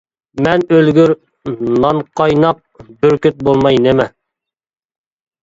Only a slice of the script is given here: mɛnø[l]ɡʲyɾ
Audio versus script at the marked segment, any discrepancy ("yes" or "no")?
no